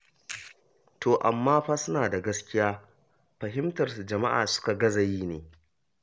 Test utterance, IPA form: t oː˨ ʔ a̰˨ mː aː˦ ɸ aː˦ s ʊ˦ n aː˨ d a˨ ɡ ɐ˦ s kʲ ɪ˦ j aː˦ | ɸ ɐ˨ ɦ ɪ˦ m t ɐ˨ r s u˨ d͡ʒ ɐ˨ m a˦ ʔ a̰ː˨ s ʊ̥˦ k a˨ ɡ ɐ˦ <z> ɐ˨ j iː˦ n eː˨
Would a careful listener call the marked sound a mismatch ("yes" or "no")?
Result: no